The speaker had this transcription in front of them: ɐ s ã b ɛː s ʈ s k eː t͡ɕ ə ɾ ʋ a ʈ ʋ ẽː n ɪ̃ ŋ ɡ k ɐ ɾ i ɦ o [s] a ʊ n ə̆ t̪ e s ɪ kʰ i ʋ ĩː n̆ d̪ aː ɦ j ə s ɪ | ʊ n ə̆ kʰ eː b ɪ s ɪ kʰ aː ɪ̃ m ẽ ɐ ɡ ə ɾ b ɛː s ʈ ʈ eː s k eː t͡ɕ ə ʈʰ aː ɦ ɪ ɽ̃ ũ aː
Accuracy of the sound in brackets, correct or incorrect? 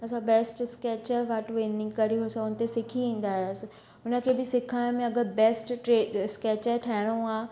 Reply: correct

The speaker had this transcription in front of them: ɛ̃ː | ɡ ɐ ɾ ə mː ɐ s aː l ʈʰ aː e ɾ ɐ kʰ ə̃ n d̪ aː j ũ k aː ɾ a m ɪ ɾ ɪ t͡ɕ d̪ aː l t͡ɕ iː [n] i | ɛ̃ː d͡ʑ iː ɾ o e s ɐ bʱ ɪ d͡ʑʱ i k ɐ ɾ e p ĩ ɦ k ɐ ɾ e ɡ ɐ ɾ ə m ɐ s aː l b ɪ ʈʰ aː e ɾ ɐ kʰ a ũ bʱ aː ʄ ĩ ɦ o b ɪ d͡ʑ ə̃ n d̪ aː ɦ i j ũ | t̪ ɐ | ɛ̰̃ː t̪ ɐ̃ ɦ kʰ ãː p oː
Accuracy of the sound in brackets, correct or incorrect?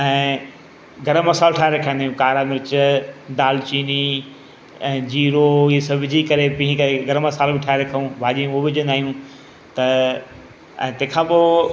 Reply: correct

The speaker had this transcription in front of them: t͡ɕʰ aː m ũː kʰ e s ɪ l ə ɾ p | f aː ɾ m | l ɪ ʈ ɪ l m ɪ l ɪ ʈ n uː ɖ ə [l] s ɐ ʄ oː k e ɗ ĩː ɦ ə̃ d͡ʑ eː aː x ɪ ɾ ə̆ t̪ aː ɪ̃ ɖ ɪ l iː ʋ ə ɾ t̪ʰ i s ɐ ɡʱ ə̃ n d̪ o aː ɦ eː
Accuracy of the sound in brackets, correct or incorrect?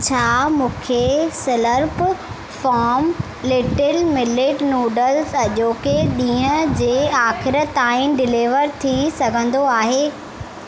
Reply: correct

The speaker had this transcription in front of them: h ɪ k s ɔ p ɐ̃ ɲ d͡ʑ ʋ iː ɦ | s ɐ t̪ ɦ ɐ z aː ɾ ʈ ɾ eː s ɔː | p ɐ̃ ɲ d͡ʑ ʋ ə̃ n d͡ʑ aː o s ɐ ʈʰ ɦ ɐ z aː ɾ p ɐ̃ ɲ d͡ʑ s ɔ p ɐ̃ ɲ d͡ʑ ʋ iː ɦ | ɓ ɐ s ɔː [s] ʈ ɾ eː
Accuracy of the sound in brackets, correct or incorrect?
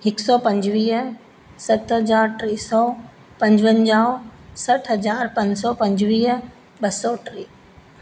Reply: incorrect: none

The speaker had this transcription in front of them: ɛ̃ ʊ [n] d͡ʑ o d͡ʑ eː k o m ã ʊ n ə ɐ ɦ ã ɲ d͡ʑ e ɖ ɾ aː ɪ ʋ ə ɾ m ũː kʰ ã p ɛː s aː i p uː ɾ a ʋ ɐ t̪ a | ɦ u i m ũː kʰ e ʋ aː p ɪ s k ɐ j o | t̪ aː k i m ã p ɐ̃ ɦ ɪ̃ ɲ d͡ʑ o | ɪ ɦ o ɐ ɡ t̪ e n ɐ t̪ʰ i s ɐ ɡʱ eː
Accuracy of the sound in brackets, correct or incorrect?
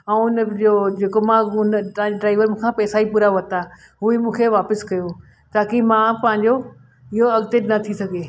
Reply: correct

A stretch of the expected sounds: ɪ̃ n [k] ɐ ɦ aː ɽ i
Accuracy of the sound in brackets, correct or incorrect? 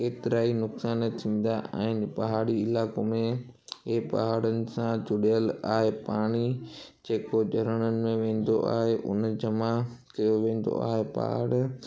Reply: incorrect: p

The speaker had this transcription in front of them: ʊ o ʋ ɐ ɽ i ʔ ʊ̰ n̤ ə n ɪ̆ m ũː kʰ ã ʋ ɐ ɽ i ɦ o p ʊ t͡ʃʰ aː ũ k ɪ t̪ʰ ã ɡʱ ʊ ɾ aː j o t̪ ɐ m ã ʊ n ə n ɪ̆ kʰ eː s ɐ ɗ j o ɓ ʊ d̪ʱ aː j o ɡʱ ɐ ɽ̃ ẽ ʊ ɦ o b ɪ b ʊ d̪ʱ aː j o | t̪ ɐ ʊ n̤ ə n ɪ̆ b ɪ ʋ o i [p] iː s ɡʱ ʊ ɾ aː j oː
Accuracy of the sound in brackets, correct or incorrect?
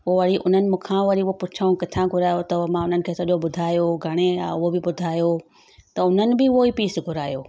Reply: correct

